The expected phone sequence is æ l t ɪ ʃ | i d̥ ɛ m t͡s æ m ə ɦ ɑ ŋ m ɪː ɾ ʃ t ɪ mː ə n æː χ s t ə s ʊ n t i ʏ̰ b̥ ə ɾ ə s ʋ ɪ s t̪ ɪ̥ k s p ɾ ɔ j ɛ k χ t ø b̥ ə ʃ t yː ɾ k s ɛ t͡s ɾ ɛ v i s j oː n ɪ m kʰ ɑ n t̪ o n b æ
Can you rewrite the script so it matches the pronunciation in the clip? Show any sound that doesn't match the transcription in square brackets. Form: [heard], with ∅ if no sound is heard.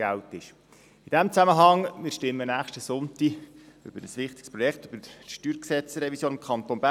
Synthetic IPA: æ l t ɪ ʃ | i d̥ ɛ m t͡s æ m ə ɦ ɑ ŋ m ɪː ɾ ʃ t ɪ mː ə n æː χ [ʃ] t ə s ʊ n t i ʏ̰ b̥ ə ɾ ə s ʋ ɪ [χ] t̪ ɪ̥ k s p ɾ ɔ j ɛ k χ t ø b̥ ə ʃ t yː ɾ k s ɛ t͡s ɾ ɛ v i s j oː n ɪ m kʰ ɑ n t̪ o n b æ

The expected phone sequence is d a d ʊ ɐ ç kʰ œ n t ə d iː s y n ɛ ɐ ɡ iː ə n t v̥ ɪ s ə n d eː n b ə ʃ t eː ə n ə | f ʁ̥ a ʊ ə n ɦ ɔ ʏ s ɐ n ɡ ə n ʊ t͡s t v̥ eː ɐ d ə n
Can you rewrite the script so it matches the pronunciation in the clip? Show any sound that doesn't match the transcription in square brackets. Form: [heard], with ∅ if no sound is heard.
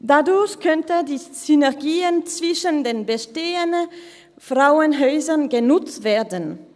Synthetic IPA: d a d ʊ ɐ ç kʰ œ n t ə d iː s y n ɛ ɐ ɡ iː ə n [t͡s] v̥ ɪ [ʃ] ə n d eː n b ə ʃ t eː ə n ə | f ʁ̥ a ʊ ə n ɦ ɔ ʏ [z] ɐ n ɡ ə n ʊ t͡s t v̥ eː ɐ d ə n

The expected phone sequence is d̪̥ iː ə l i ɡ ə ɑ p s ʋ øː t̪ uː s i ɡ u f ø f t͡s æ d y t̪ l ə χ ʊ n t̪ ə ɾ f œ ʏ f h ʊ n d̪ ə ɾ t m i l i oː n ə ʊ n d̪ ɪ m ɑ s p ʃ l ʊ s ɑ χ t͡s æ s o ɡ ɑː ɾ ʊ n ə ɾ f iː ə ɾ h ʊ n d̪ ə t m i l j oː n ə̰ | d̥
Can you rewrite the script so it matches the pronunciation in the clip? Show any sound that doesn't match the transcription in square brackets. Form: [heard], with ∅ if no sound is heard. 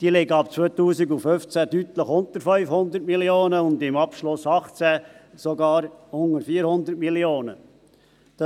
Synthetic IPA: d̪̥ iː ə l [ɪ] ɡ ə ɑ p [t͡s] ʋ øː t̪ uː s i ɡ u f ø f t͡s æ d y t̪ l ə χ ʊ n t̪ ə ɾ f œ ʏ f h ʊ n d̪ ə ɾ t m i l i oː n ə ʊ n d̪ ɪ m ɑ [∅] p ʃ l ʊ s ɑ χ t͡s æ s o ɡ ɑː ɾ ʊ [ŋ] ə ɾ f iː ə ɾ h ʊ n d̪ ə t m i l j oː n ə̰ | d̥

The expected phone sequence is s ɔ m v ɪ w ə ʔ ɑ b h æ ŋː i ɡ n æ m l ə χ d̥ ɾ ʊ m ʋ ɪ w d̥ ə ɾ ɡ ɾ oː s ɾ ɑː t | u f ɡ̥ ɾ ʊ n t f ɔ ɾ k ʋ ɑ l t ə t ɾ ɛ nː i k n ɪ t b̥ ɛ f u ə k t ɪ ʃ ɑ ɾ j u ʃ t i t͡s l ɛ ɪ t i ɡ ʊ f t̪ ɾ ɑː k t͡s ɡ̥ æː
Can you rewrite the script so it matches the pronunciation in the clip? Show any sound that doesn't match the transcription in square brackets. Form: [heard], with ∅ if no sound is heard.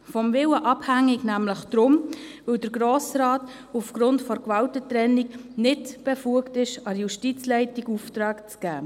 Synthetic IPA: [f] ɔ m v ɪ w ə ʔ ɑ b h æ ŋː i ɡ n æ m l ə χ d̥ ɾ ʊ m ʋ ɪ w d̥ ə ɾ ɡ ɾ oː s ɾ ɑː t | u f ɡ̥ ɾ ʊ n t f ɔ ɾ k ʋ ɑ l t ə t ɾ ɛ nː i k n ɪ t b̥ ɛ f u ə k t ɪ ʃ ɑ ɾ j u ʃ t i t͡s l ɛ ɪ t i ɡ [u] f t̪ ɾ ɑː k t͡s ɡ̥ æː

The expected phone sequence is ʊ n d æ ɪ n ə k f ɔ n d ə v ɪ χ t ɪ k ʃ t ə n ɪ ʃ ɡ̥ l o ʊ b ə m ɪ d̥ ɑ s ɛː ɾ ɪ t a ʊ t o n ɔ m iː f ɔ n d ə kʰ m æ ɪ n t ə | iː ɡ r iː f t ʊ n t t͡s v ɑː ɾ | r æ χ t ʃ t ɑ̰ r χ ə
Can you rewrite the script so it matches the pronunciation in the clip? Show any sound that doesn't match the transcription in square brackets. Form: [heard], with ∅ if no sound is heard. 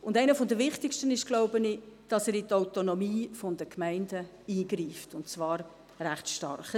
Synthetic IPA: ʊ n d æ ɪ n ə [∅] f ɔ n d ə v ɪ χ t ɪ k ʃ t ə n ɪ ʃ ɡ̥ l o ʊ b ə [n] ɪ d̥ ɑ s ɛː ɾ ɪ t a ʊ t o n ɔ m iː f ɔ n d ə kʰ m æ ɪ n [d] ə | iː ɡ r iː f t ʊ n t t͡s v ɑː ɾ | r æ χ t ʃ t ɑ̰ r χ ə

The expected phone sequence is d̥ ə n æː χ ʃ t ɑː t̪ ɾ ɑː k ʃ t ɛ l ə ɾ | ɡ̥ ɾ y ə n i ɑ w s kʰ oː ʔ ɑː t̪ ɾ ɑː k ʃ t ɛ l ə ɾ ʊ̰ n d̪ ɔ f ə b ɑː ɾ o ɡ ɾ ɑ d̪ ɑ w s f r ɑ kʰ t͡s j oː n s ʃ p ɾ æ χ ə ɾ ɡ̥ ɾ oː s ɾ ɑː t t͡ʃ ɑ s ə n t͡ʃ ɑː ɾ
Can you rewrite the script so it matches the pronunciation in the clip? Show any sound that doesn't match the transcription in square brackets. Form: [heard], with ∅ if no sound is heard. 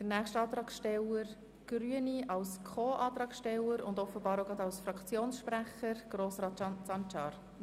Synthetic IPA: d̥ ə n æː χ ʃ t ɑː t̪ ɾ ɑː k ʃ t ɛ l ə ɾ | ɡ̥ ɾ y ə n i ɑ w s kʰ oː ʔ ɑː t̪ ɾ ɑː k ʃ t ɛ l ə ɾ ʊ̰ n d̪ ɔ f ə b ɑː ɾ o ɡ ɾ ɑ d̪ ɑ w s f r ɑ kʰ t͡s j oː n s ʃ p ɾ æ χ ə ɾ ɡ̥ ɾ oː s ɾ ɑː t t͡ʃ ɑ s [ɑ] n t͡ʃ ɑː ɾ

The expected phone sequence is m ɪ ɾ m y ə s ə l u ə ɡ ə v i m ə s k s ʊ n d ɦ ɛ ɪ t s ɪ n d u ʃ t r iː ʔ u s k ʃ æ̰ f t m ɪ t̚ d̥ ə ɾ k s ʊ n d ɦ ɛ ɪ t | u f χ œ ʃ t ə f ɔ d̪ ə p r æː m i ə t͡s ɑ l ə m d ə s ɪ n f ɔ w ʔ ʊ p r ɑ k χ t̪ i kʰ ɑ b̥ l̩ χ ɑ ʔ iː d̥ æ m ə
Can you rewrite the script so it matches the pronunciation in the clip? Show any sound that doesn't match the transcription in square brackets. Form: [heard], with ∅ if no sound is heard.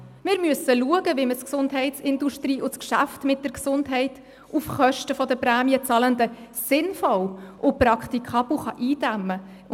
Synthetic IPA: m ɪ ɾ m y ə s ə l u ə ɡ ə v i m ə s k s ʊ n d ɦ ɛ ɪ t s ɪ n d u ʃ t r iː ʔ [ʊ] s k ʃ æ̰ f t m ɪ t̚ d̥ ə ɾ k s ʊ n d ɦ ɛ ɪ t | u f χ œ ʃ t ə f ɔ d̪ ə p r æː m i ə t͡s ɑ l ə [n] d ə s ɪ n f ɔ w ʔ ʊ p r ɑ k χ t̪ i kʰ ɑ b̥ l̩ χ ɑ ʔ iː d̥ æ m ə

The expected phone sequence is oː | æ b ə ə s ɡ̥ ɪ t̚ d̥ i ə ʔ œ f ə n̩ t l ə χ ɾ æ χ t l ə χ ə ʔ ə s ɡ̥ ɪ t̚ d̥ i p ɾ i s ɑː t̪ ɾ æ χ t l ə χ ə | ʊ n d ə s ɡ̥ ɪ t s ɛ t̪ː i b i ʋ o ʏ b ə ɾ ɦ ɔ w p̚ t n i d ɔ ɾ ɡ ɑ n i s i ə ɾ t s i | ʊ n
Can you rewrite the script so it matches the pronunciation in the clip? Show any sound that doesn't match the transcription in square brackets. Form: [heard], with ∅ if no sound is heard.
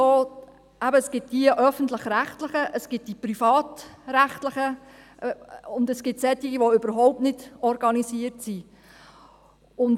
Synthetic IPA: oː | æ b ə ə s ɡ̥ ɪ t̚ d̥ i ə ʔ œ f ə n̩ t l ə χ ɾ æ χ t l ə χ ə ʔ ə s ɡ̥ ɪ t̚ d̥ i p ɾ i [f] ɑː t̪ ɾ æ χ t l ə χ ə | ʊ n d ə s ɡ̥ ɪ t s ɛ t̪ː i [ɡ] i ʋ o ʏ b ə ɾ ɦ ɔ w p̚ t n [ɪ] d ɔ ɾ ɡ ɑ n i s i ə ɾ t s i | ʊ n

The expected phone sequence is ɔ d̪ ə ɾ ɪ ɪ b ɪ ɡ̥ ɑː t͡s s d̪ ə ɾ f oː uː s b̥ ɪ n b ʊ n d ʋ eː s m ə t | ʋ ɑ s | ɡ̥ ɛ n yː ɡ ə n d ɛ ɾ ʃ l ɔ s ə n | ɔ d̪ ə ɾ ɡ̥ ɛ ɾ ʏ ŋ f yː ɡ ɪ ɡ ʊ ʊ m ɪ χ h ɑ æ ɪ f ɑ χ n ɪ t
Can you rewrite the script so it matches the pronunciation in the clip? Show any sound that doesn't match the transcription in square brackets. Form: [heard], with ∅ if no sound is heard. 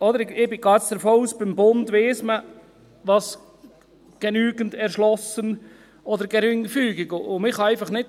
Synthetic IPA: ɔ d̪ ə ɾ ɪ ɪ b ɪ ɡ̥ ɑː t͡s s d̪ ə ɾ f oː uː s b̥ ɪ [m] b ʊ n d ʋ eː s m ə [∅] | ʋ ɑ s | ɡ̥ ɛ n yː ɡ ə n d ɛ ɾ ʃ l ɔ s ə n | ɔ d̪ ə ɾ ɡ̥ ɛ ɾ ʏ ŋ f yː ɡ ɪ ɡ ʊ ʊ m ɪ χ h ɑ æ ɪ f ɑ χ n ɪ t

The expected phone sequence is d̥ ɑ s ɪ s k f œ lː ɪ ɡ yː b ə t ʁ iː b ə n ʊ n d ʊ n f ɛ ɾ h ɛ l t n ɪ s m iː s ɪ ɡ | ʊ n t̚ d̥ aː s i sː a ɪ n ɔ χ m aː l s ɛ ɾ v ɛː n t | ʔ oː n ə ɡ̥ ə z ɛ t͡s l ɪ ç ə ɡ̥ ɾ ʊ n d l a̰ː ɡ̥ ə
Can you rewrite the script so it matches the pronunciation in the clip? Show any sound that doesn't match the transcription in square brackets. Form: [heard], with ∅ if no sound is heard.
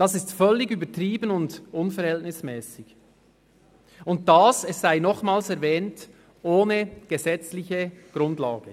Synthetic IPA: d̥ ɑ s ɪ s [t] f œ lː ɪ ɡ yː b ə t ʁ iː b ə n ʊ n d ʊ n f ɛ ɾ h ɛ l t n ɪ s m [ɛː] s ɪ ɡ | ʊ n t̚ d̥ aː s [ɛ] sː a ɪ n ɔ χ m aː l s ɛ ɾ v ɛː n t | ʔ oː n ə ɡ̥ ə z ɛ t͡s l ɪ ç ə ɡ̥ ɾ ʊ n d l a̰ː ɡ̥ ə

